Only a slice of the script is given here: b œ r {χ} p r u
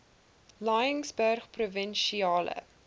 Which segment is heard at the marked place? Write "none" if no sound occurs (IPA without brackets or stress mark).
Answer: χ